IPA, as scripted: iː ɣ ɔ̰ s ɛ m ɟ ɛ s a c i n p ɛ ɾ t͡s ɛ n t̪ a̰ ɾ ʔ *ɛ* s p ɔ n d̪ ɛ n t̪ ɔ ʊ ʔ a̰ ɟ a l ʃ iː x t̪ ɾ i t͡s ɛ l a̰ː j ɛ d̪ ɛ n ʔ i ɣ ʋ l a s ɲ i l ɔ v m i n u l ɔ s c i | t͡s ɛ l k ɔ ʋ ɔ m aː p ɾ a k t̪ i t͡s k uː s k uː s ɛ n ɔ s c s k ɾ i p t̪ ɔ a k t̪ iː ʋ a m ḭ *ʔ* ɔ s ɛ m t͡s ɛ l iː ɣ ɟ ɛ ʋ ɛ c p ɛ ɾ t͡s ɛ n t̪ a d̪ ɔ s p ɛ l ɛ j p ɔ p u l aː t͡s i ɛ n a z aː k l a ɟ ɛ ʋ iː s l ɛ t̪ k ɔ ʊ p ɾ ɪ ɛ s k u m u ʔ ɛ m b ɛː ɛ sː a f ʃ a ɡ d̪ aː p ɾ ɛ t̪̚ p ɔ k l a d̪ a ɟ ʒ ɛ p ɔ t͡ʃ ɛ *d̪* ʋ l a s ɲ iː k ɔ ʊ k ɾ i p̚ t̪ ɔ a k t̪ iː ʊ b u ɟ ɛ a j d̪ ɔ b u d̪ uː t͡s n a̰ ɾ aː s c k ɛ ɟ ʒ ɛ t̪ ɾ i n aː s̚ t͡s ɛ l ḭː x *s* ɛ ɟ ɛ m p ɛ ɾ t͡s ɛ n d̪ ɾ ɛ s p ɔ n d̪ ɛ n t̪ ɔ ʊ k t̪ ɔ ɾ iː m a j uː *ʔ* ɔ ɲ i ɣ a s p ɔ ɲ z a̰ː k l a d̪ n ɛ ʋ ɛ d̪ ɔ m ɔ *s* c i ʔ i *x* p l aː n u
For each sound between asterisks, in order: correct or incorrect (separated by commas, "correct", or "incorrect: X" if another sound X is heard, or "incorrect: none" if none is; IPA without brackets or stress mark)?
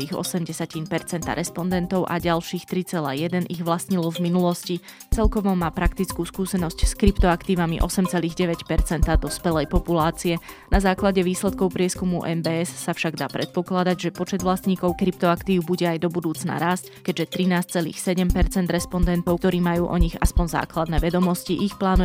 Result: correct, correct, correct, correct, correct, correct, correct